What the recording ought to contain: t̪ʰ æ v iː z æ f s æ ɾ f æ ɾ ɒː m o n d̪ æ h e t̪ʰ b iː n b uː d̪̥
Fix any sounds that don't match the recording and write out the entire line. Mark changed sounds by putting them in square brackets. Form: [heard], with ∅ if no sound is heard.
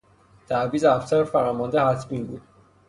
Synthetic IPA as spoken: t̪ʰ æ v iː z æ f s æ ɾ f æ ɾ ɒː m [ɒ] n d̪ [e] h [æ] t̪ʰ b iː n b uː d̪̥